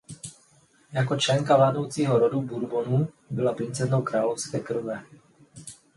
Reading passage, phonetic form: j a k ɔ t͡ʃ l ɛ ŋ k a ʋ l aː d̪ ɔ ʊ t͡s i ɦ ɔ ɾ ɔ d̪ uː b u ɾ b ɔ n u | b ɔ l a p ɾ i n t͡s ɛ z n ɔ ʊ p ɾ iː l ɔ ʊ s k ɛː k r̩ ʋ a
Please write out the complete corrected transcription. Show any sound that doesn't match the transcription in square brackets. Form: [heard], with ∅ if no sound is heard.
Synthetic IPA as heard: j a k ɔ t͡ʃ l ɛ ŋ k a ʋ l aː d̪ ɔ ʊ t͡s i ɦ ɔ ɾ ɔ d̪ [u] b u ɾ b ɔ n u | b ɔ l a p ɾ i n t͡s ɛ z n ɔ ʊ [k] ɾ [aː] l ɔ ʊ s k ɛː k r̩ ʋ [ɛ]